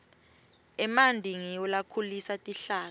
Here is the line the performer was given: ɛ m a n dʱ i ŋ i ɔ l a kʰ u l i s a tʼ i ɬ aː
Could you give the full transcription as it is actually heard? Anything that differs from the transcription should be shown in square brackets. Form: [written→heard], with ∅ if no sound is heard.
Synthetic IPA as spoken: ɛ m a n dʱ i ŋ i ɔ l a kʰ u l i s a tʼ i ɬ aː